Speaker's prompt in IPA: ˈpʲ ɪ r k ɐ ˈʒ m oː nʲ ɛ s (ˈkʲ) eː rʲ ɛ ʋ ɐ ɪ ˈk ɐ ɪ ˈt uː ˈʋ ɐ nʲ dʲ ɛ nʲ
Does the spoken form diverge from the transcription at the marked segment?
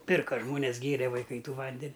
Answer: yes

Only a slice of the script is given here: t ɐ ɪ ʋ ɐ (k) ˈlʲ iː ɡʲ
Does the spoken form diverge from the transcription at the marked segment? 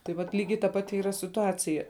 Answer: yes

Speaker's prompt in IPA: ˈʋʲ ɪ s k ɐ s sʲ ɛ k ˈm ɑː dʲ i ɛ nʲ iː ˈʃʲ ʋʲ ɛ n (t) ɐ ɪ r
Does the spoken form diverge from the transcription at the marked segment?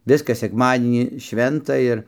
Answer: no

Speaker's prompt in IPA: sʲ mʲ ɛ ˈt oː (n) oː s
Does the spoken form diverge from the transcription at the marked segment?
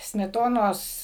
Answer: no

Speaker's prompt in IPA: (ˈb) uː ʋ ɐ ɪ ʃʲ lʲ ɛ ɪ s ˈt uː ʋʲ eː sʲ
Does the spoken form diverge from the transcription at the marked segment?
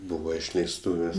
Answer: no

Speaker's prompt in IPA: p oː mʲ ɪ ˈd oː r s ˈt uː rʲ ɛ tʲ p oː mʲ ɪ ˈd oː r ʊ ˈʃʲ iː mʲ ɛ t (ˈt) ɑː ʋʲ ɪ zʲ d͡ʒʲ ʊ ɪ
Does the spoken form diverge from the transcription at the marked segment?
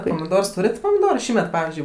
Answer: yes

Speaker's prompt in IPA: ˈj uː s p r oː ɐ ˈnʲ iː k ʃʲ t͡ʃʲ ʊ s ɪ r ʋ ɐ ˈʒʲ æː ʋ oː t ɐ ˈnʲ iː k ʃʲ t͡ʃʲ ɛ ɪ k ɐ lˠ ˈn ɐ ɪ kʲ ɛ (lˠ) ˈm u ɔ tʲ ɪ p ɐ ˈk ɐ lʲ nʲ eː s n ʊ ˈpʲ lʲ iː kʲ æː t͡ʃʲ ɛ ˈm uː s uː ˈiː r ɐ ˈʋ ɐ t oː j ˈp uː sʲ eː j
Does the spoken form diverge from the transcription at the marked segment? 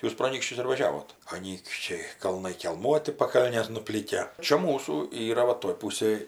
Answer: no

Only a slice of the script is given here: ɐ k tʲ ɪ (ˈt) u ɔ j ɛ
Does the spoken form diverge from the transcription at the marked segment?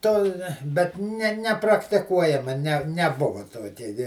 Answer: yes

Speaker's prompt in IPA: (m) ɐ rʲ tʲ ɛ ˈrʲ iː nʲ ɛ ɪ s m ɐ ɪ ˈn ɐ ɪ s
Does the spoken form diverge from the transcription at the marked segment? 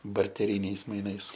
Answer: yes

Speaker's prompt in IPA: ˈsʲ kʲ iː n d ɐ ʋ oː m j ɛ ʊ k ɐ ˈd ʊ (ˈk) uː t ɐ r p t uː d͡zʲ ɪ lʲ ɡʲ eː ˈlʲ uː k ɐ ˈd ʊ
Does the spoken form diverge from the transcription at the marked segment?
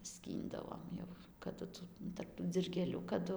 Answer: yes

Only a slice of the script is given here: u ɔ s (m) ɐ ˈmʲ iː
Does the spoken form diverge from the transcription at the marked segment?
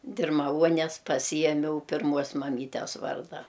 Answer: no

